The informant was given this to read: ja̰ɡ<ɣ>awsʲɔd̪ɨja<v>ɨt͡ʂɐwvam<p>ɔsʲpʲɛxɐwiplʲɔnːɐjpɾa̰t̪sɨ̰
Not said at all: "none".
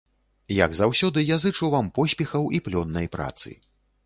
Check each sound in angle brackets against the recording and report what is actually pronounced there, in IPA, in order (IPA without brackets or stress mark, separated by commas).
z, z, p